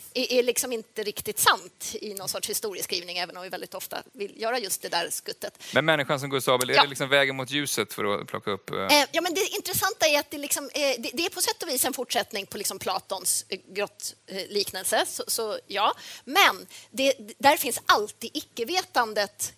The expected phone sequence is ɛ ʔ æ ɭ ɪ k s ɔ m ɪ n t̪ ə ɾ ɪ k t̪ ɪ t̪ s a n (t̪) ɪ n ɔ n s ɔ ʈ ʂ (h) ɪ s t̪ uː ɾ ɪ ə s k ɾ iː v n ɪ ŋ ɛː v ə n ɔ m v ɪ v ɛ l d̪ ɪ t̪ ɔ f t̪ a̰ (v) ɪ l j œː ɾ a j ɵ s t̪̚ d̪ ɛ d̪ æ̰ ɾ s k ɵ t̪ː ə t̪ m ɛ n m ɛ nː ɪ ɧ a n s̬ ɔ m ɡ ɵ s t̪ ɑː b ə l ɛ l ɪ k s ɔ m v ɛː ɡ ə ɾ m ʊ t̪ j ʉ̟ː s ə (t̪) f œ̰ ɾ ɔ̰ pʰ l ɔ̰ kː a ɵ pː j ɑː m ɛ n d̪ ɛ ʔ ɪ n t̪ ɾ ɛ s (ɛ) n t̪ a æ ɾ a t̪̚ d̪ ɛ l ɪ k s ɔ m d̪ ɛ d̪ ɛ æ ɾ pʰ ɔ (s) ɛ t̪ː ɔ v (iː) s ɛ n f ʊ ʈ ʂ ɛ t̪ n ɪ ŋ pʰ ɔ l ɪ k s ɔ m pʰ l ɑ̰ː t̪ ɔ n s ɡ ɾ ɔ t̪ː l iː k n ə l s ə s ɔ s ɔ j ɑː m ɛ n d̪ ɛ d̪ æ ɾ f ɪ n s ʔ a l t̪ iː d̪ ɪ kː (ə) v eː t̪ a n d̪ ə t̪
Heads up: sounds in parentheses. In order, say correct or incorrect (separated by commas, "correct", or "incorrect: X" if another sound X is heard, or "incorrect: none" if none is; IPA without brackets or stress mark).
correct, correct, correct, correct, incorrect: a, correct, correct, correct